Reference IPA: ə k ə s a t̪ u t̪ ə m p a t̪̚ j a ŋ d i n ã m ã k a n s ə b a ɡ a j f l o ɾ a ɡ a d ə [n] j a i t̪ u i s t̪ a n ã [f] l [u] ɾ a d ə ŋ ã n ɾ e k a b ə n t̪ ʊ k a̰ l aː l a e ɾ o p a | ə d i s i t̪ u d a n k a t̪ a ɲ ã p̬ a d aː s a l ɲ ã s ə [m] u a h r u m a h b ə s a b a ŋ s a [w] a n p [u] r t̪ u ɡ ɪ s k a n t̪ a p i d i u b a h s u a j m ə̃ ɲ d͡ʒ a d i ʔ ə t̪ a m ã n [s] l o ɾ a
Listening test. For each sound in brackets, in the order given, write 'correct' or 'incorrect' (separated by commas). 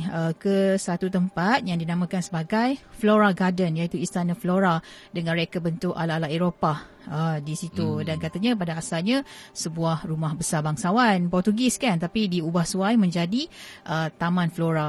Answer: correct, correct, incorrect, incorrect, correct, incorrect, incorrect